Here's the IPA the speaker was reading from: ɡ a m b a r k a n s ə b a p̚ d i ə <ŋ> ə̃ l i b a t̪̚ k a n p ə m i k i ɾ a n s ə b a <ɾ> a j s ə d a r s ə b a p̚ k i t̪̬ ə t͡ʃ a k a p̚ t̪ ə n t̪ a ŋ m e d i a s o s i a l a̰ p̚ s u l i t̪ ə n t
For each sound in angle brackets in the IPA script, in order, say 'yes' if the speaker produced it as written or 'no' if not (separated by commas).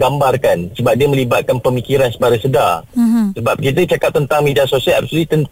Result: no, yes